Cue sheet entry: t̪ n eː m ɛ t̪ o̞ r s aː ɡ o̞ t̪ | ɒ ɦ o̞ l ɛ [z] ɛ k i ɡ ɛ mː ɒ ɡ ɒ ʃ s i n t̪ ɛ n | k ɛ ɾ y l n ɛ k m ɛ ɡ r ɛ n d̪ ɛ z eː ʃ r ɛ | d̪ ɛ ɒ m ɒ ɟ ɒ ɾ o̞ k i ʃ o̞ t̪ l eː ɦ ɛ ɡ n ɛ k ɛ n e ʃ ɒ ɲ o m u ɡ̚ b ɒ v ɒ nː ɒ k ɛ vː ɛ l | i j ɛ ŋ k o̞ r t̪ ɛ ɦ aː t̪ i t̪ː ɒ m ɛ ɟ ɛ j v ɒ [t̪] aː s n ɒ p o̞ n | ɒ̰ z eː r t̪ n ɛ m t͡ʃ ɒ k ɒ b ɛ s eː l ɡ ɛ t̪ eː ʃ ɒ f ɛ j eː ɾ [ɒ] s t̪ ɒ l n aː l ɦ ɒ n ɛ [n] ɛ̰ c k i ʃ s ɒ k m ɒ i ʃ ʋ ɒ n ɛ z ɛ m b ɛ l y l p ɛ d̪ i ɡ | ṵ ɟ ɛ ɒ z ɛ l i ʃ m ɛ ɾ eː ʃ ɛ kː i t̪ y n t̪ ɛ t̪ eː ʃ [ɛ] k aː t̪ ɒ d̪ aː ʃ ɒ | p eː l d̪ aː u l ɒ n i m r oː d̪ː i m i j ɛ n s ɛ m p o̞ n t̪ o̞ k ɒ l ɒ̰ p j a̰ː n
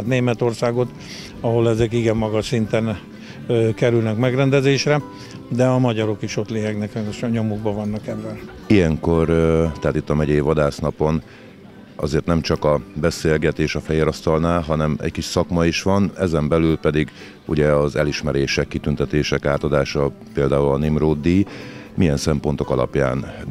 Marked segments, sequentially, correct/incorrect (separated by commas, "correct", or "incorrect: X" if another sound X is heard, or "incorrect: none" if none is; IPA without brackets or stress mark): correct, incorrect: d̪, correct, incorrect: m, correct